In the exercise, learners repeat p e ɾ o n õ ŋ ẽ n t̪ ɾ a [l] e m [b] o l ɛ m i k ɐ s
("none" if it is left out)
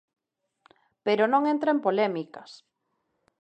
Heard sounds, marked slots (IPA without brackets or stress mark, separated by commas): none, p